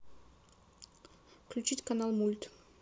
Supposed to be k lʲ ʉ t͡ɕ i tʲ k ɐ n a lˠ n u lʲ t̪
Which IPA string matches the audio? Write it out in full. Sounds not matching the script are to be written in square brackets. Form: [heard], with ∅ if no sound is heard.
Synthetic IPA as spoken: k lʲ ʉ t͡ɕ i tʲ k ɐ n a lˠ [m] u lʲ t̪